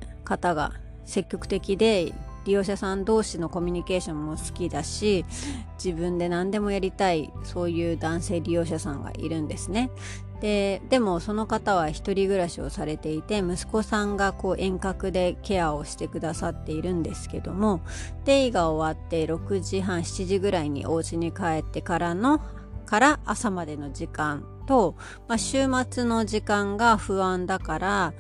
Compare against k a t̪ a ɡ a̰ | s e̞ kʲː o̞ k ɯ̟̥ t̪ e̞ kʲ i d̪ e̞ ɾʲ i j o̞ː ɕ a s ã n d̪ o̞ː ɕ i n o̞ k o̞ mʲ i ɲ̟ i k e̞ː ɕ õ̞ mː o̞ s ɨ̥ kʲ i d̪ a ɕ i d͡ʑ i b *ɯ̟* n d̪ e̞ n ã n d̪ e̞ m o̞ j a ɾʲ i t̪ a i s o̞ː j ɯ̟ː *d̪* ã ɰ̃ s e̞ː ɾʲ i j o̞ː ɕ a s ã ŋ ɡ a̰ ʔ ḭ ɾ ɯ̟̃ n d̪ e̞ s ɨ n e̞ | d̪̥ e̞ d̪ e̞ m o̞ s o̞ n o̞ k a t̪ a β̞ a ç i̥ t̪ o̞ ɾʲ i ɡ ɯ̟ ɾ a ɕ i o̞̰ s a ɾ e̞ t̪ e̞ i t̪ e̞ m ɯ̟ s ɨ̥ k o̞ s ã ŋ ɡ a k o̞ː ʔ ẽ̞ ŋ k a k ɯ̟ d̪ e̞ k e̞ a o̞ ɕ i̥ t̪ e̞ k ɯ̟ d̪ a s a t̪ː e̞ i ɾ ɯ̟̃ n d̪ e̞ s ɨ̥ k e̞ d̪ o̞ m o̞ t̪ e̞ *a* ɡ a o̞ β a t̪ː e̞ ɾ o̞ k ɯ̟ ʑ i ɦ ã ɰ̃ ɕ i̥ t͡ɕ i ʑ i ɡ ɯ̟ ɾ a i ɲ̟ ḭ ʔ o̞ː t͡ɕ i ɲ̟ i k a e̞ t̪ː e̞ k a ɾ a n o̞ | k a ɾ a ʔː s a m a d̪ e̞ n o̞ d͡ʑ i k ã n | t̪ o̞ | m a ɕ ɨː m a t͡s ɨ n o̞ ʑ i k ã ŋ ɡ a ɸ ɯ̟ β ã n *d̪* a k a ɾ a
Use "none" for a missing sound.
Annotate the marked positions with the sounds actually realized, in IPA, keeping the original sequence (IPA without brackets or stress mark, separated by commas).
ɯ̟̃, d̪, i, d̪